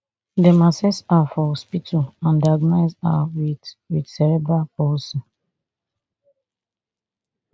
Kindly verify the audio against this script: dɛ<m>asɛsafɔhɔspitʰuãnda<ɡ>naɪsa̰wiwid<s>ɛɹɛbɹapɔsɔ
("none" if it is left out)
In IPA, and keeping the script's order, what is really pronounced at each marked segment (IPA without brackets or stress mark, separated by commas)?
m, ɡ, s